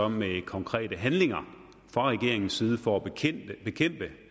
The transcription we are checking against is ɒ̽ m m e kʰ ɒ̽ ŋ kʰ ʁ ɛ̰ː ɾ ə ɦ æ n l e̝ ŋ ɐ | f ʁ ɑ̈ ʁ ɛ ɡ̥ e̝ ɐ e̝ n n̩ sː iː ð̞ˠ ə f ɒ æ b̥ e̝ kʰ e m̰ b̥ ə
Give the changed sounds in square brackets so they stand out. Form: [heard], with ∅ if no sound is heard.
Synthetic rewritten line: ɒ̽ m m e kʰ ɒ̽ ŋ kʰ ʁ ɛ̰ː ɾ ə ɦ æ n l e̝ ŋ ɐ | f ʁ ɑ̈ ʁ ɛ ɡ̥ e̝ ɐ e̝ [ŋ] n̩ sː iː ð̞ˠ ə f ɒ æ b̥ e̝ kʰ e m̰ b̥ ə